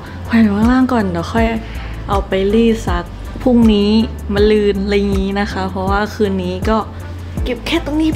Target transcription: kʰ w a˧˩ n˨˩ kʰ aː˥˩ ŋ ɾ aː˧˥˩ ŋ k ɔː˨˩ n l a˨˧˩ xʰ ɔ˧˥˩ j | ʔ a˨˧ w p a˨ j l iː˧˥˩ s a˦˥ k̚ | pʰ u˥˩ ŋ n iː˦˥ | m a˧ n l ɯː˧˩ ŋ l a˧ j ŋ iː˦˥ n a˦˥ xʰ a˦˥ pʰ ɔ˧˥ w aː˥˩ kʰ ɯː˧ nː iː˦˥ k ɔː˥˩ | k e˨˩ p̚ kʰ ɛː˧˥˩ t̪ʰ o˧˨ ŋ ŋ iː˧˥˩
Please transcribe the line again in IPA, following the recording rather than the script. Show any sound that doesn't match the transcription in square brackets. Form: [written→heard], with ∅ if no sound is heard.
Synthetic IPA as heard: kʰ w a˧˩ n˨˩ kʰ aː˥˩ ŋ [ɾ→l] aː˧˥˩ ŋ k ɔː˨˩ n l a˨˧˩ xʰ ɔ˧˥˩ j | ʔ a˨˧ w p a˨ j l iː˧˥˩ s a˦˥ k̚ | pʰ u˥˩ ŋ n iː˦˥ | m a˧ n l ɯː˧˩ [ŋ→n] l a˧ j ŋ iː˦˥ n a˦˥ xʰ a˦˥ pʰ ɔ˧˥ w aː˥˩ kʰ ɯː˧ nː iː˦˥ k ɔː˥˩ | k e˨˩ p̚ kʰ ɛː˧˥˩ [t̪ʰ→t̪] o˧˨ ŋ [ŋ→n] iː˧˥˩